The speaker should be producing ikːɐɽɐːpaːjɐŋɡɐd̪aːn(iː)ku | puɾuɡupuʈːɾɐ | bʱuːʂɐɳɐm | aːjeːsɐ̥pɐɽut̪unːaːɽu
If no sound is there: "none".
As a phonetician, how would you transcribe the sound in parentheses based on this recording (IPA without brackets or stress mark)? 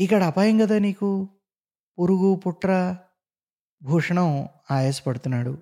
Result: iː